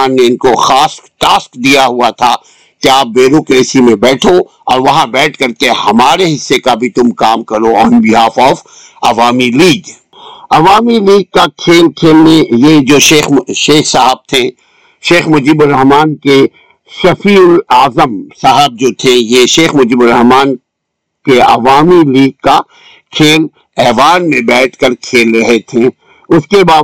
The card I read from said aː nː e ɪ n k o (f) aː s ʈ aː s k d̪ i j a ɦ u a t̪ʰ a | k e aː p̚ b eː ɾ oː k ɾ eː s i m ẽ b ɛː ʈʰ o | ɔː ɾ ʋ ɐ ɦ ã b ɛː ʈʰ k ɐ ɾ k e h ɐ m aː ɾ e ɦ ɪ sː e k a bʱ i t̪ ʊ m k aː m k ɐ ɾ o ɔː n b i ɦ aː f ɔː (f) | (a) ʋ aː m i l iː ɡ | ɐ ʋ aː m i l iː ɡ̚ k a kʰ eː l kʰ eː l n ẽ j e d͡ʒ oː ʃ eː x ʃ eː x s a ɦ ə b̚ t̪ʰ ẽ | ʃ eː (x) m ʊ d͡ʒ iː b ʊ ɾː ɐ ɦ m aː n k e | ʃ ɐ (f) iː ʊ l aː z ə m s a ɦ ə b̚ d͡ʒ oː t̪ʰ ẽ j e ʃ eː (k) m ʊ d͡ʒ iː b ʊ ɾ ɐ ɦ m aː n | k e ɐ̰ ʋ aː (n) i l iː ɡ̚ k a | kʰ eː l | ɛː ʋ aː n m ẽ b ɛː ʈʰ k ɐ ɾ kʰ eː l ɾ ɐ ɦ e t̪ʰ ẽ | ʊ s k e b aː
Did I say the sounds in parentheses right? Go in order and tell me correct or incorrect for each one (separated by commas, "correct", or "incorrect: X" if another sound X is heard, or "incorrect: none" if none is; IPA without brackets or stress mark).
incorrect: x, correct, incorrect: ɐ, correct, correct, incorrect: x, incorrect: m